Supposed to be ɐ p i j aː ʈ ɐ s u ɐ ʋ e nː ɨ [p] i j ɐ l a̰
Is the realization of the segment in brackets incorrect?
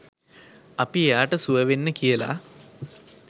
yes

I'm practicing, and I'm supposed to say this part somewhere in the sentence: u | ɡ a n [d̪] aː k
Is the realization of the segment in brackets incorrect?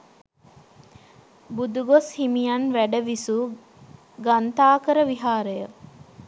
yes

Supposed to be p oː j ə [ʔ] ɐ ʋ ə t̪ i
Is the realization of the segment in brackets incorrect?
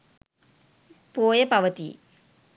yes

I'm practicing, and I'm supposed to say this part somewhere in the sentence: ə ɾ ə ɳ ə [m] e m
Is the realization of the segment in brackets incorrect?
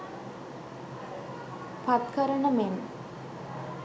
no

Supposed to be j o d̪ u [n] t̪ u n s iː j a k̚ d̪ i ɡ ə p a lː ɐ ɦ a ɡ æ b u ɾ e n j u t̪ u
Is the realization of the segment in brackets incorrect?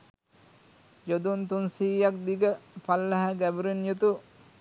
no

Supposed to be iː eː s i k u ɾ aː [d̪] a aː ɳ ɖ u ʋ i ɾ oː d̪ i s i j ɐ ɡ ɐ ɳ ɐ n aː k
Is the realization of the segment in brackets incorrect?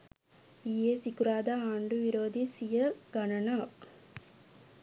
no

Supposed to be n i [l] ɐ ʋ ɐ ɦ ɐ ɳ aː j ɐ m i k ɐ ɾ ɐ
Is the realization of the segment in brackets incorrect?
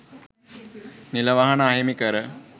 no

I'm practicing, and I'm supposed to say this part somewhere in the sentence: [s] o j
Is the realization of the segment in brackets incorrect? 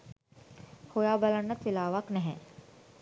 yes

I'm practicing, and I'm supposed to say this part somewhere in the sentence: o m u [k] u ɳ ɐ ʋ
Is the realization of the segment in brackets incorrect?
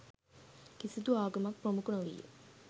no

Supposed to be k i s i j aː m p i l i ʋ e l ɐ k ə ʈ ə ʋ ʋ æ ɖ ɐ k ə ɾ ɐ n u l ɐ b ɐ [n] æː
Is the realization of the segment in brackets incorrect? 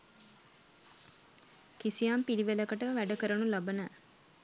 no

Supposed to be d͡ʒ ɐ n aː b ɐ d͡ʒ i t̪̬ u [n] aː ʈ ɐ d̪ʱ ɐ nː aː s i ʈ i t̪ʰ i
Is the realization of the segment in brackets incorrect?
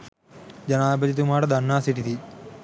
yes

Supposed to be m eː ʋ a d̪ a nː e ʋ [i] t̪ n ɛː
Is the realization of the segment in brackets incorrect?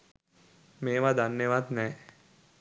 yes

